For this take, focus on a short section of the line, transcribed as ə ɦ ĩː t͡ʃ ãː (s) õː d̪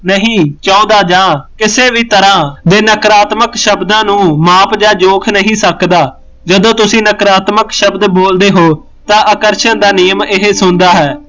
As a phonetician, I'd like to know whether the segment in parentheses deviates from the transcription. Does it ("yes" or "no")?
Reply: yes